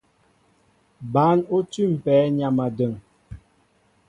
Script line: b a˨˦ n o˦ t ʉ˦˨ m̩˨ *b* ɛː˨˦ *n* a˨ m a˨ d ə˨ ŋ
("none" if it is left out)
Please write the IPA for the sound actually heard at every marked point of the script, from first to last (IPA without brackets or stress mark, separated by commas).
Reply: p, ɲ